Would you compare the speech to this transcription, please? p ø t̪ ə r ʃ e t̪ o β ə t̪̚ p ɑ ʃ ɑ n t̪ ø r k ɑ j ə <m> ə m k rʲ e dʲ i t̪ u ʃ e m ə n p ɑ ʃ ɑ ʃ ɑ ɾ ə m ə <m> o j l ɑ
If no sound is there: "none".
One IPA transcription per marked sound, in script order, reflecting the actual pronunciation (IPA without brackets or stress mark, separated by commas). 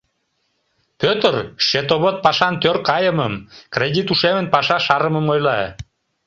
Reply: m, m